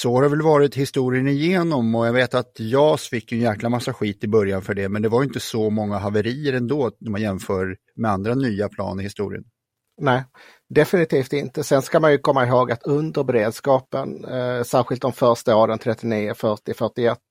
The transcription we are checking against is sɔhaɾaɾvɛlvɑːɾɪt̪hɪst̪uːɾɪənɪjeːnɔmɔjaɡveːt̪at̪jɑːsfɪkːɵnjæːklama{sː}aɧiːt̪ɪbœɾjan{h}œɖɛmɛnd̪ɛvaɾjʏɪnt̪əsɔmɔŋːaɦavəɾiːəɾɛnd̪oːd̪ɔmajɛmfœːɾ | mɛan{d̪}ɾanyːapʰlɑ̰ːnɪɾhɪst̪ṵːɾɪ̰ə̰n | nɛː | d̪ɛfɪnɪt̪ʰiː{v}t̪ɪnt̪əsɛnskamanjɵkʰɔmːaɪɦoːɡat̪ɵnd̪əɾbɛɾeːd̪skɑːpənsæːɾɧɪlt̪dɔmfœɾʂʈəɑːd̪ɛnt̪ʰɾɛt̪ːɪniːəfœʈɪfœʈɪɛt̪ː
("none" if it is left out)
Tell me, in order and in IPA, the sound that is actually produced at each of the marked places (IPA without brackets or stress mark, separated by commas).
sː, f, d̪, f